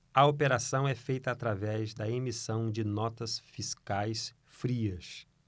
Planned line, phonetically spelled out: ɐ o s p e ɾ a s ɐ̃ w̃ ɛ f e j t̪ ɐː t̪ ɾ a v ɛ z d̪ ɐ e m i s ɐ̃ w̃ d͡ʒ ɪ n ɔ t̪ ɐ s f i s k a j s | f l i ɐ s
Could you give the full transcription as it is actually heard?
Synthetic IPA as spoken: ɐ o p e ɾ a s ɐ̃ w̃ ɛ f e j t̪ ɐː t̪ ɾ a v ɛ z d̪ ɐ e m i s ɐ̃ w̃ d͡ʒ ɪ n ɔ t̪ ɐ s f i s k a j s | f ɾ i ɐ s